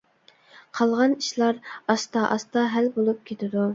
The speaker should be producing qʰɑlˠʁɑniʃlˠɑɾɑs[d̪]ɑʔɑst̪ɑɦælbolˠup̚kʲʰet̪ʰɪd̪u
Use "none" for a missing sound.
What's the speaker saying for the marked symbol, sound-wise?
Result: t̪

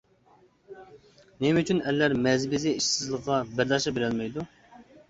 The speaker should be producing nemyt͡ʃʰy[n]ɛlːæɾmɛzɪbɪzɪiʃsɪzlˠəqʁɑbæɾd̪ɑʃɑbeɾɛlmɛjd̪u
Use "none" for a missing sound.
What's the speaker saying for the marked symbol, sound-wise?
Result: n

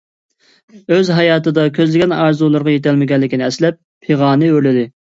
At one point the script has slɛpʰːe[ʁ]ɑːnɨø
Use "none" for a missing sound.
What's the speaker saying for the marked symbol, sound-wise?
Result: ʁ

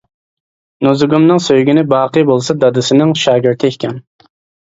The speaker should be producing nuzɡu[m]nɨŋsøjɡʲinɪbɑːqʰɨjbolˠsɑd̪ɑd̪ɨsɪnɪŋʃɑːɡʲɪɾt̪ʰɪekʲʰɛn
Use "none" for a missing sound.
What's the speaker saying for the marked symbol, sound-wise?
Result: m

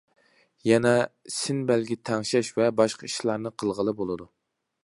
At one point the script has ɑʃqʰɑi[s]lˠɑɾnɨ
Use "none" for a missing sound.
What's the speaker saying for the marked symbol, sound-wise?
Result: ʃ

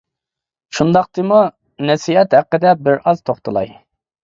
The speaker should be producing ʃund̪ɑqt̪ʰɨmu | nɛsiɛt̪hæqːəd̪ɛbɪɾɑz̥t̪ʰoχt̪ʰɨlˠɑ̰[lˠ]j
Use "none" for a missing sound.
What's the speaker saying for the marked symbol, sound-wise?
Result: none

